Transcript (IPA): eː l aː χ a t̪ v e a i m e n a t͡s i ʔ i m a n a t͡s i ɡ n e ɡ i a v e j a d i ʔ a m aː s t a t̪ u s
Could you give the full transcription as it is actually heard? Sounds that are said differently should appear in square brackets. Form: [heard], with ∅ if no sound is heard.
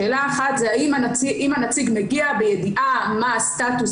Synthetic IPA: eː l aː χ a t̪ [z] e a i m [a] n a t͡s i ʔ i m a n a t͡s i ɡ [m] e ɡ i a [b] e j [e] d i ʔ a m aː s t a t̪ u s